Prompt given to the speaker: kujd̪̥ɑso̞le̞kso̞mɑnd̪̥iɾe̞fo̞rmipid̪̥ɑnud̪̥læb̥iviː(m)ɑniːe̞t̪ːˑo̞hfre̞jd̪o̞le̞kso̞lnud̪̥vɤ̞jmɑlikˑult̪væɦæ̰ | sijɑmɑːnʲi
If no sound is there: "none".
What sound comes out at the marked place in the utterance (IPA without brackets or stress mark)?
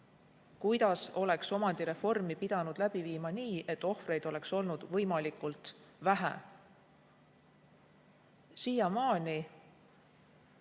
m